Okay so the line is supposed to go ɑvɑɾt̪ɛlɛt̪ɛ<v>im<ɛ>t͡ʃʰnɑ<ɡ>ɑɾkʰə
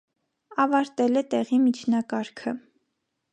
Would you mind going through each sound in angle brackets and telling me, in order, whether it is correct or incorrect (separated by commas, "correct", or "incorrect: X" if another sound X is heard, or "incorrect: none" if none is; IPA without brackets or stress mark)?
incorrect: ʁ, incorrect: i, incorrect: k